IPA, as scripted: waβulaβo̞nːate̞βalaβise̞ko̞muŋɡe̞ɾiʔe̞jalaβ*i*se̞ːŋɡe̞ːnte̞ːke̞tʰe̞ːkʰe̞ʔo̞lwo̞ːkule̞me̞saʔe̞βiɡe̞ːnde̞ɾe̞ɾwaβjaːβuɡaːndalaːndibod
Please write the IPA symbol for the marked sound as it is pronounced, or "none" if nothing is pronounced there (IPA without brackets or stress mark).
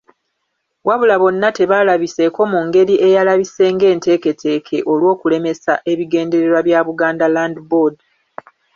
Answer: i